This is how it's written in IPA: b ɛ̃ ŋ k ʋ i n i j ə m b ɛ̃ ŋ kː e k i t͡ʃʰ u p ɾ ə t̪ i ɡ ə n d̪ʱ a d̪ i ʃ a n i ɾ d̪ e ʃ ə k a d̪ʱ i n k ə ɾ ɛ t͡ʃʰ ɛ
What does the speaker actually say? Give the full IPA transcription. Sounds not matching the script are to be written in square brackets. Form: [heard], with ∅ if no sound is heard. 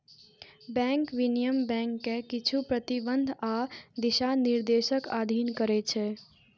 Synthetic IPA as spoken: b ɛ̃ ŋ k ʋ i n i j ə m b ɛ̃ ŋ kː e k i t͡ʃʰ u p ɾ ə t̪ i [b] ə n d̪ʱ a d̪ i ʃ a n i ɾ d̪ e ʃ ə k a d̪ʱ i n k ə ɾ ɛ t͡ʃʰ ɛ